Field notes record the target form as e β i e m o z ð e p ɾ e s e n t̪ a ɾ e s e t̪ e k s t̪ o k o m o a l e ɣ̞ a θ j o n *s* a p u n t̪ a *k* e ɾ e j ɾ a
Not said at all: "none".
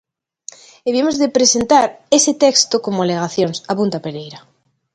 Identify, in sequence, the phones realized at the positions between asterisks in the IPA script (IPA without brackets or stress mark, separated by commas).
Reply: s, p